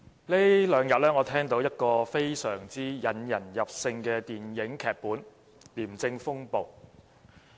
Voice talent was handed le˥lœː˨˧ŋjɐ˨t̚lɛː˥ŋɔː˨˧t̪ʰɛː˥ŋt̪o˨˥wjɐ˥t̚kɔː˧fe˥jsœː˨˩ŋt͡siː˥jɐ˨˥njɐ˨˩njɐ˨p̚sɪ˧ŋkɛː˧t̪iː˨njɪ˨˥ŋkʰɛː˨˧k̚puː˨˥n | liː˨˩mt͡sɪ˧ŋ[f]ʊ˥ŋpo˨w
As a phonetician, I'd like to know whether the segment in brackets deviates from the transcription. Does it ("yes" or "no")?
no